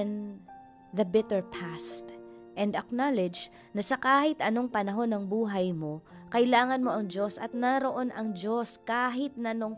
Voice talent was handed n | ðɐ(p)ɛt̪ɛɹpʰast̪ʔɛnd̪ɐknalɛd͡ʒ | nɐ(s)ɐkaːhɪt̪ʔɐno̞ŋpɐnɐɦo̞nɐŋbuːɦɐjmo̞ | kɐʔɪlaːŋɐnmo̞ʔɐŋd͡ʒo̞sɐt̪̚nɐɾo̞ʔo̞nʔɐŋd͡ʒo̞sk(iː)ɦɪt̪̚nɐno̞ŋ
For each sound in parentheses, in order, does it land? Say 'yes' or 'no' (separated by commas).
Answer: no, yes, no